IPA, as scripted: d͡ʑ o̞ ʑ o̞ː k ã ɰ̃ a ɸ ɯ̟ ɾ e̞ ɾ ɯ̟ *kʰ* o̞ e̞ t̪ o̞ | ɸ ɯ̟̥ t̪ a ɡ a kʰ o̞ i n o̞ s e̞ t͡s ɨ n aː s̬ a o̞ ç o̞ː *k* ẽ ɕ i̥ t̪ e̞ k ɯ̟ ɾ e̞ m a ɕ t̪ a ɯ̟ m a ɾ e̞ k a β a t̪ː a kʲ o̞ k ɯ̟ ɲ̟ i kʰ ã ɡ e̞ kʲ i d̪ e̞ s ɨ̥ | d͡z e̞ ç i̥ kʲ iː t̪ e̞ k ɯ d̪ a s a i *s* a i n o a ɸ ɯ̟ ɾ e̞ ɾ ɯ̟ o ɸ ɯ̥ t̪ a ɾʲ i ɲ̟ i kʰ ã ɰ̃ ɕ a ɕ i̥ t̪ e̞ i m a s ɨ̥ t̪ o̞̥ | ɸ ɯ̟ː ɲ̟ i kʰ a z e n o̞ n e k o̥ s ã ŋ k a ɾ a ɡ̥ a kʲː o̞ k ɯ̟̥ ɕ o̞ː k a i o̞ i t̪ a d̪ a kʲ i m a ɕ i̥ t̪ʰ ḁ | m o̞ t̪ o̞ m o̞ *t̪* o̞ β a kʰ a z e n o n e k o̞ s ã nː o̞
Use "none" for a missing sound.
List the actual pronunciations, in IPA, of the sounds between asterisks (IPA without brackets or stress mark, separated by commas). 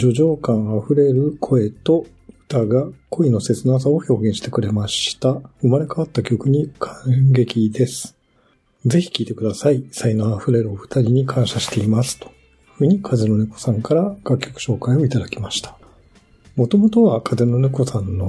kʰ, ɡ, s, t̪